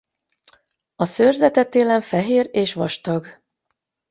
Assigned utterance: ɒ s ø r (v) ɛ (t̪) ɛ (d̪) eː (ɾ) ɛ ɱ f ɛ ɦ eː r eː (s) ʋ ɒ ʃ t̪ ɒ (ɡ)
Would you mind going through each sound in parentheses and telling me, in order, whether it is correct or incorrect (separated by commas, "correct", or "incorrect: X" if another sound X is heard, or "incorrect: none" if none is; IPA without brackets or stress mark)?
incorrect: z, correct, incorrect: t̪, incorrect: l, incorrect: ʃ, correct